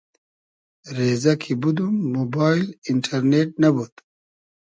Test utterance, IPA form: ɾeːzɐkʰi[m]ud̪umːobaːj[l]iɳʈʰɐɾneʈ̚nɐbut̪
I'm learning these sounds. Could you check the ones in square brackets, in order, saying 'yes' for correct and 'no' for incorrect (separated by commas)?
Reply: no, yes